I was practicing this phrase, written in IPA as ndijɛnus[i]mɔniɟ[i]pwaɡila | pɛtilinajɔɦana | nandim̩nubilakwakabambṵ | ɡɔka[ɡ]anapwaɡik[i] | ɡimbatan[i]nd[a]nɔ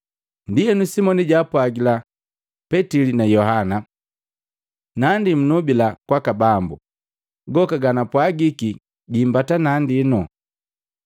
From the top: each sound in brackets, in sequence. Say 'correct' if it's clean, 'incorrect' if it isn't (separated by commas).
correct, incorrect, correct, correct, incorrect, incorrect